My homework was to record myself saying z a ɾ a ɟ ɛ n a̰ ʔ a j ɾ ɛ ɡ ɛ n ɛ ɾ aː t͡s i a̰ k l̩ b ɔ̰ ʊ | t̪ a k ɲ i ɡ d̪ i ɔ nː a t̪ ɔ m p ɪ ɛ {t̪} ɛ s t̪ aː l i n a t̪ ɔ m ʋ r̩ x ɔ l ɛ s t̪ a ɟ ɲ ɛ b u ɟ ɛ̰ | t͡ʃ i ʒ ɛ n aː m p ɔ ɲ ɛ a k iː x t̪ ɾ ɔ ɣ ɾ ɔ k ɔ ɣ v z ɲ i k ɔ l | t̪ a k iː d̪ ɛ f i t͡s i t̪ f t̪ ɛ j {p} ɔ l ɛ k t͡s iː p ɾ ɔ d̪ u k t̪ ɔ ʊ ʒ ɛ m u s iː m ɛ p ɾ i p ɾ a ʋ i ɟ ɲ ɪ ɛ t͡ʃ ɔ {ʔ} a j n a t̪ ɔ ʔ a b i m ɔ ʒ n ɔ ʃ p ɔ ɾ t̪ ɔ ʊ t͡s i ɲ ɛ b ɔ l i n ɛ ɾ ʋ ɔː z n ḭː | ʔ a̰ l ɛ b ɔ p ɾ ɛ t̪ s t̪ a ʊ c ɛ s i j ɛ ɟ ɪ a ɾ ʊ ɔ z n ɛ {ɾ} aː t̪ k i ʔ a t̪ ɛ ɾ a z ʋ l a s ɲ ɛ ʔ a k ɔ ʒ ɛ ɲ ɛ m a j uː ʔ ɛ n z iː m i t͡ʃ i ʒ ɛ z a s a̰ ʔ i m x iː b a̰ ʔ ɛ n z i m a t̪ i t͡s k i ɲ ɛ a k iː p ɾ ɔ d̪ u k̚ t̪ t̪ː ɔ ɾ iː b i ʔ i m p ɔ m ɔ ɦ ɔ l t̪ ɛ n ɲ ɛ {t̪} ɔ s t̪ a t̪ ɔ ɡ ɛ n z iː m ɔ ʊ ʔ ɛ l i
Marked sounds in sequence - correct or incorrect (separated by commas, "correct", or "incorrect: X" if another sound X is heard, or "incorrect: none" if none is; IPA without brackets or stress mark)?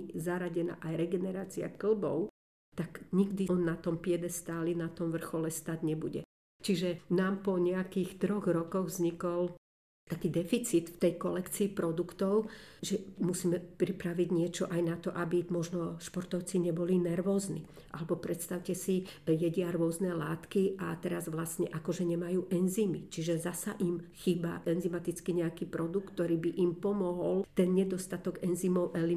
incorrect: d̪, incorrect: k, correct, incorrect: l, incorrect: d̪